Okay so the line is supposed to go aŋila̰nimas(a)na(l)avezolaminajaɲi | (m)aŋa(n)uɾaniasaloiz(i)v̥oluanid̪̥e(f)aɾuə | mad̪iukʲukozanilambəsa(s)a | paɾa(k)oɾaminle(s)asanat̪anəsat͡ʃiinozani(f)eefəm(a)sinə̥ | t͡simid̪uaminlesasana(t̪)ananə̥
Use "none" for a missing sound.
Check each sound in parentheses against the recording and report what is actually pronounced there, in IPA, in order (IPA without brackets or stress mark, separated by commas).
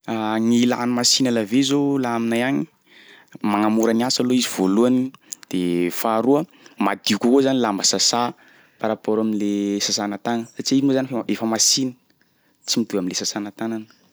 i, l, m, m, i, f, s, p, s, f, a, t̪